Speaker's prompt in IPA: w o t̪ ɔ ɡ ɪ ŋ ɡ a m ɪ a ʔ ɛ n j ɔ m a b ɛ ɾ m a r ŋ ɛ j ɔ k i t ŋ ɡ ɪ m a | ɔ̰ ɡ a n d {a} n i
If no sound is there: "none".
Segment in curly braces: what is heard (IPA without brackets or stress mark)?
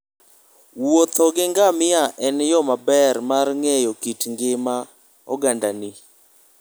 a